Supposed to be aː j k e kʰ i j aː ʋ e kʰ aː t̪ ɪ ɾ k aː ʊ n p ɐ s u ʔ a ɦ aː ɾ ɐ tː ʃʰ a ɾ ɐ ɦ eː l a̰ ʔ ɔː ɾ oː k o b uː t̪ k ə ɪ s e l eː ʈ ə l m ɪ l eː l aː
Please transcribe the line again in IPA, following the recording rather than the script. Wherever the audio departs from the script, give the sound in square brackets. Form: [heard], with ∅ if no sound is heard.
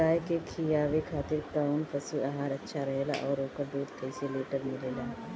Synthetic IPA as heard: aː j k e kʰ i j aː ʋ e kʰ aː t̪ ɪ ɾ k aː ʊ n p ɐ s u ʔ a ɦ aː ɾ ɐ tː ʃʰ a ɾ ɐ ɦ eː l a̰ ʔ ɔː ɾ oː k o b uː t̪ k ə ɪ s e l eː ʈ ə [ɾ] m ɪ l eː l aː